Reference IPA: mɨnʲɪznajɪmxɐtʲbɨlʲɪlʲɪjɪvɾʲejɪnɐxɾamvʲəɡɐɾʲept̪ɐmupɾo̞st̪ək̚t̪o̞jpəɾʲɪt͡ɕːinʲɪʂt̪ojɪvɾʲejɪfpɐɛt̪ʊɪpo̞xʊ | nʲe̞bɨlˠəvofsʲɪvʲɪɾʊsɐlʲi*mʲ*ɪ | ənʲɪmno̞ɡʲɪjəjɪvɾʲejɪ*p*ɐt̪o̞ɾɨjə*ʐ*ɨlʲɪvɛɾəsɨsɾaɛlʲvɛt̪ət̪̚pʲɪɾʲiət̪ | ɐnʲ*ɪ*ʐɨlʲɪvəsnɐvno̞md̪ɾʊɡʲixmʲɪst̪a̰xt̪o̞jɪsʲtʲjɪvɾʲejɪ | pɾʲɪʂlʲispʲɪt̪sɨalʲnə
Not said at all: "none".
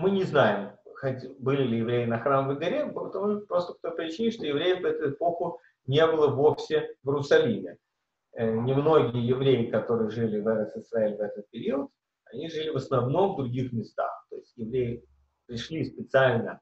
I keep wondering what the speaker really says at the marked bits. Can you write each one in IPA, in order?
mʲ, k, ʐ, i

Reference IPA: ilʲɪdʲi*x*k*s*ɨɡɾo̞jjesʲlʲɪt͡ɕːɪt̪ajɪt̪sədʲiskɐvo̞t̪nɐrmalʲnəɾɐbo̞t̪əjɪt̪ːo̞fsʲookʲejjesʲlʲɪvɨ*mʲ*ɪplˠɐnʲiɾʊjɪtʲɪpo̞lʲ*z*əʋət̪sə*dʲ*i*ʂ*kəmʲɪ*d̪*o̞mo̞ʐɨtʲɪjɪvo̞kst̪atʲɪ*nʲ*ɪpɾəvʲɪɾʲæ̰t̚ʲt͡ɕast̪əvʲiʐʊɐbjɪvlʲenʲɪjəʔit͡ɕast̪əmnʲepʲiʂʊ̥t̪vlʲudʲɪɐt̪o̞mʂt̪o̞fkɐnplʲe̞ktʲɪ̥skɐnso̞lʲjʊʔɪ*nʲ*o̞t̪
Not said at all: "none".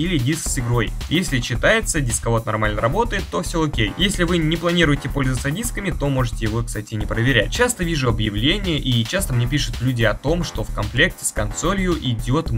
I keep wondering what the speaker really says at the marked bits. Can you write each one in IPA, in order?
s, s, nʲ, z, dʲ, s, t̪, nʲ, dʲ

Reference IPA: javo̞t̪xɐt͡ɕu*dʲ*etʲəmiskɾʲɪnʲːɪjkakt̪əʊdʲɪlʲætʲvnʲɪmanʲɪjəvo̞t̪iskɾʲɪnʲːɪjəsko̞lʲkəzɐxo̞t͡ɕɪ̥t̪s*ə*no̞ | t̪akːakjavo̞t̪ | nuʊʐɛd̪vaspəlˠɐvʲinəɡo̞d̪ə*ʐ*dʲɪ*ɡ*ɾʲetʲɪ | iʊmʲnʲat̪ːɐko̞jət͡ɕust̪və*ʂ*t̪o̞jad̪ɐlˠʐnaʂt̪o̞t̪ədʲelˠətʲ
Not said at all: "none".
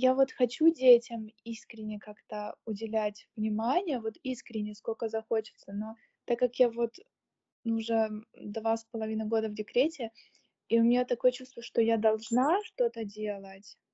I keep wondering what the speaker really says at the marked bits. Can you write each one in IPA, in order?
dʲ, ə, v, k, ʂ

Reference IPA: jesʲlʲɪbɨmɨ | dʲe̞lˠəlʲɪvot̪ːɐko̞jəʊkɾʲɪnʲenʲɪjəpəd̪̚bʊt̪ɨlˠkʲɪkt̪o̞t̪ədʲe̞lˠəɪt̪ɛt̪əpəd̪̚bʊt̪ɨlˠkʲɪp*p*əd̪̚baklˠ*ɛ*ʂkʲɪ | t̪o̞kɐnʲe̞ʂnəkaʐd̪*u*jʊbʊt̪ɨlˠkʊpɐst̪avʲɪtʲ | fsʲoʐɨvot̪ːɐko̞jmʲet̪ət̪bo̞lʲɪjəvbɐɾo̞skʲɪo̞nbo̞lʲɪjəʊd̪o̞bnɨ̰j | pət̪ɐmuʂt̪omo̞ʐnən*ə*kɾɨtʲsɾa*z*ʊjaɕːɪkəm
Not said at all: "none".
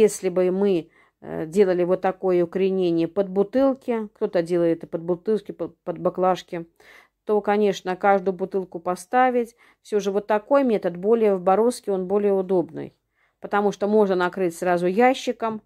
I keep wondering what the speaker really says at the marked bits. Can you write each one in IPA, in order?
p, a, ʊ, ɐ, z

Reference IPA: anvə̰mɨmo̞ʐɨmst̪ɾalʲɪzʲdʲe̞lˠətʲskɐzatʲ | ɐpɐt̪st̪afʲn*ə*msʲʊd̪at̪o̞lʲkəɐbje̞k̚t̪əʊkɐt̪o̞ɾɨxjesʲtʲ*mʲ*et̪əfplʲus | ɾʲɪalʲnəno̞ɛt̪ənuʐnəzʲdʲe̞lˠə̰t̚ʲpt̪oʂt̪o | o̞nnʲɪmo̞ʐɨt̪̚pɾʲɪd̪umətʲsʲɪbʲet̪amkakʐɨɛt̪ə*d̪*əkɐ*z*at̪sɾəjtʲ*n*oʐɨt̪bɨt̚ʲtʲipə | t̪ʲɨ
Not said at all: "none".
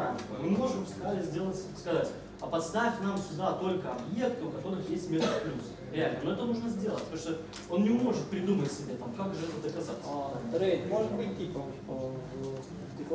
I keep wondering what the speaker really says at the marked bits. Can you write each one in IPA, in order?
a, mʲ, d̪, z, m

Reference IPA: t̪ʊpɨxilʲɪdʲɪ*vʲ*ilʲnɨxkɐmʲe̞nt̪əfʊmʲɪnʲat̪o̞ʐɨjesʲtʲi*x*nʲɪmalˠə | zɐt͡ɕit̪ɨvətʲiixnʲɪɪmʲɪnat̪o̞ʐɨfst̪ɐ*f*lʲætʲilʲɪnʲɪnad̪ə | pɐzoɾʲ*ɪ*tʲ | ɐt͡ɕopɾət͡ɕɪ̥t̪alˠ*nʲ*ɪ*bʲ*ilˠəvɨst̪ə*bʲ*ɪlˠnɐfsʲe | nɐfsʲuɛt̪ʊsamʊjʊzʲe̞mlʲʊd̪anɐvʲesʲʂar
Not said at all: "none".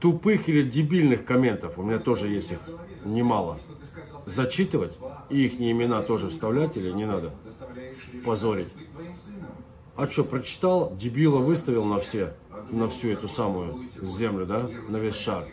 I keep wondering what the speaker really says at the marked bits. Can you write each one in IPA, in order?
bʲ, x, v, ɪ, dʲ, bʲ, vʲ

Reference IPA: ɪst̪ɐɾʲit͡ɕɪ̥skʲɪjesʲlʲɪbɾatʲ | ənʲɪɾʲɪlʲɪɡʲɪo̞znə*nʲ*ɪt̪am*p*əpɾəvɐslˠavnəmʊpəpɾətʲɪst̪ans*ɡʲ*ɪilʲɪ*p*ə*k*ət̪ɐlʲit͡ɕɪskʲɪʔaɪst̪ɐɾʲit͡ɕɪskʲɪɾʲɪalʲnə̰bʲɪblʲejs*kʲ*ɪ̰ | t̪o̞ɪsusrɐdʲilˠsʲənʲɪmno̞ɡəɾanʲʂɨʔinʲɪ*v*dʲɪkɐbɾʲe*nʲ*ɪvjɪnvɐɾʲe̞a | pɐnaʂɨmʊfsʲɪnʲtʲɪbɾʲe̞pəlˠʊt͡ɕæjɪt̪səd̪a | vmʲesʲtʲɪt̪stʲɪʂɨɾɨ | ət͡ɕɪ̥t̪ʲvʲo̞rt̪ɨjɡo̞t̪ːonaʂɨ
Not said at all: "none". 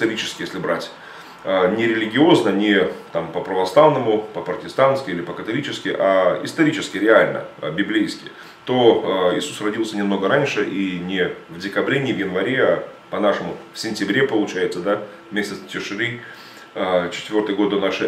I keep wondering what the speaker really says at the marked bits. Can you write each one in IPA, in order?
nʲ, p, kʲ, p, k, kʲ, v, nʲ

